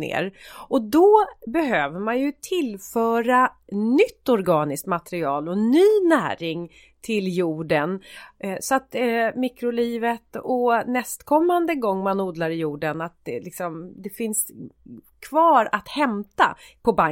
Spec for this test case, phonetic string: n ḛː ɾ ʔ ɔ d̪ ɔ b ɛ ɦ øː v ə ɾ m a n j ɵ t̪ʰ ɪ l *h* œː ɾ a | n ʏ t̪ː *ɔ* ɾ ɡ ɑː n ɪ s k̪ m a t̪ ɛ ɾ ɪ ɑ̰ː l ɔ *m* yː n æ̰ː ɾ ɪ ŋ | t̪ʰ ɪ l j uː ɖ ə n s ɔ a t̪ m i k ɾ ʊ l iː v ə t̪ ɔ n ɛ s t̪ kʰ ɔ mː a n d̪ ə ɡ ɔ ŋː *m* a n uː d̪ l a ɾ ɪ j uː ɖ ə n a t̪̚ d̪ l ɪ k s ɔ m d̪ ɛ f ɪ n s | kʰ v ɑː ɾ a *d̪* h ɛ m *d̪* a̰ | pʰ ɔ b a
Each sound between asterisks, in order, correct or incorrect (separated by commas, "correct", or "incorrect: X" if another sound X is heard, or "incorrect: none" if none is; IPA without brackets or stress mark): incorrect: f, correct, incorrect: n, correct, incorrect: t̪, incorrect: t̪